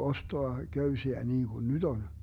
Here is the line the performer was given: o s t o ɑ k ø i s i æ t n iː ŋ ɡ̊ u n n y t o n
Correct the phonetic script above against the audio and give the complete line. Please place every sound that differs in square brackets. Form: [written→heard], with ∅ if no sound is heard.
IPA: o s t o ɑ k ø [i→y] s i æ [t→∅] n iː ŋ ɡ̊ u n n y t o n